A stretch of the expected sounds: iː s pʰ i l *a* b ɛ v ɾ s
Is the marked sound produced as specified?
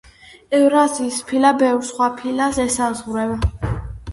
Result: yes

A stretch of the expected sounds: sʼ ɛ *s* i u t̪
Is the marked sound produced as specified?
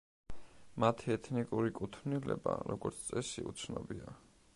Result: yes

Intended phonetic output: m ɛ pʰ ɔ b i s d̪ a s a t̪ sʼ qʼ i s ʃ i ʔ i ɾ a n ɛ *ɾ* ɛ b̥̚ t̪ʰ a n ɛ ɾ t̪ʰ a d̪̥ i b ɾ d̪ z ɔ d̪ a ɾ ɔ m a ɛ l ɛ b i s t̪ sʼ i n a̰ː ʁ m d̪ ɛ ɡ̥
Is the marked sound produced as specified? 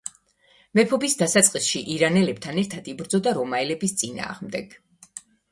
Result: no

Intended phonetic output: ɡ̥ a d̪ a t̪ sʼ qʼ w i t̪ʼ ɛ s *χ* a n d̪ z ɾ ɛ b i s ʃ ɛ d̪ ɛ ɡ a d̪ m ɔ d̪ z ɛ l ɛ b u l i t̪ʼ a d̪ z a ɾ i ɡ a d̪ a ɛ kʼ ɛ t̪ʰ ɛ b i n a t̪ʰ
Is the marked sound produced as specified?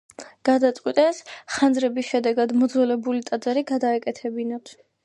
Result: yes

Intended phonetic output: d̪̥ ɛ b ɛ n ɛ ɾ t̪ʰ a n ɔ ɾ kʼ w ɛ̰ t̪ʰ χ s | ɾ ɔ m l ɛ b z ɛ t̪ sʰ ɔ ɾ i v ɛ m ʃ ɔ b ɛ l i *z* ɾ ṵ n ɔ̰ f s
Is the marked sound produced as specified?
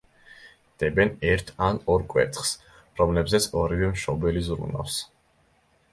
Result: yes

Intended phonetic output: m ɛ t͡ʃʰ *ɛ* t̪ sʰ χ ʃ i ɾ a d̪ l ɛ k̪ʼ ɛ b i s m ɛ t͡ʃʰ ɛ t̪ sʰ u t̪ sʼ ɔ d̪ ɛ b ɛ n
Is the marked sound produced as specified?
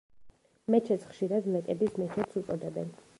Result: yes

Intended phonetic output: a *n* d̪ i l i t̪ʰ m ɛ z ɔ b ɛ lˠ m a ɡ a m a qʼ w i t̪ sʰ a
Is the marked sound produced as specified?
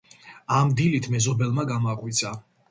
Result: no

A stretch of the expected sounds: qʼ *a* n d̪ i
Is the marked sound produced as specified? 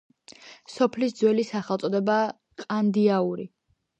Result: yes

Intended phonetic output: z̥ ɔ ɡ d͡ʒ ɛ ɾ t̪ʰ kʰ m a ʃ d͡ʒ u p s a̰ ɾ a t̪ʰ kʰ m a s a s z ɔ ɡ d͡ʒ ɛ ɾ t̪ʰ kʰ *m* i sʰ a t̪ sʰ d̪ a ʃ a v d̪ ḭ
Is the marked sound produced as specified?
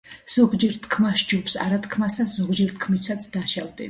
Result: yes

